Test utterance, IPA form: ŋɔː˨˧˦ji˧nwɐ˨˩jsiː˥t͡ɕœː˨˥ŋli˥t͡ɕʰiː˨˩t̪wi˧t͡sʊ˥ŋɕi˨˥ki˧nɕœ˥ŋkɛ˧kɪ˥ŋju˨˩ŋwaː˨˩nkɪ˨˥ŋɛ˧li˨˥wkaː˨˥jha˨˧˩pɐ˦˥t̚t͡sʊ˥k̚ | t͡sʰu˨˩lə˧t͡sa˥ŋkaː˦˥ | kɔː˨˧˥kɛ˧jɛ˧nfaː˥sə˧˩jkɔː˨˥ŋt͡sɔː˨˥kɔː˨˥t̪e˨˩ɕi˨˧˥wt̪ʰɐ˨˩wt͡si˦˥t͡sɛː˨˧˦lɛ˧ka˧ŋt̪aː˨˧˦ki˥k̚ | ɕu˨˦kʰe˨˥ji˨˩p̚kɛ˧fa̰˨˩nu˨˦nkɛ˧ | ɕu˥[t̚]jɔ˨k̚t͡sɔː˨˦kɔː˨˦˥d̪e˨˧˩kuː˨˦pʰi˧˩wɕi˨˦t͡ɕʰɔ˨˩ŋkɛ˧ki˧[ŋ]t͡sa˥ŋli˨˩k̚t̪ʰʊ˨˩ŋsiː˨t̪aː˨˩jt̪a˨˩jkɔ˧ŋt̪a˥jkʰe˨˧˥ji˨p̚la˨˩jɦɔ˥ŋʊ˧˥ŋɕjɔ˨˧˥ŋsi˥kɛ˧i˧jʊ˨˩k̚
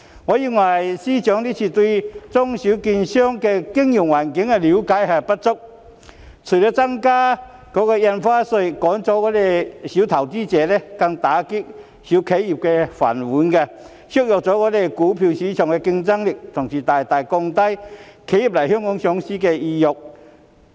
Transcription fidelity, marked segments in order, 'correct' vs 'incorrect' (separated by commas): incorrect, correct